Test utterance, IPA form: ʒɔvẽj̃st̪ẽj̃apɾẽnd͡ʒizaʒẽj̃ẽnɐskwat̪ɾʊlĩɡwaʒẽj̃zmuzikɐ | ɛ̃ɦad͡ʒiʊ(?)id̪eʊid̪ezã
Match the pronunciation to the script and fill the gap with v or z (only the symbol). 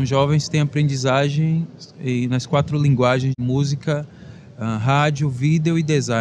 v